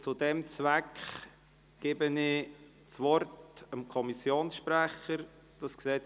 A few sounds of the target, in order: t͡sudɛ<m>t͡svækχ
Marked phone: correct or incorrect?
correct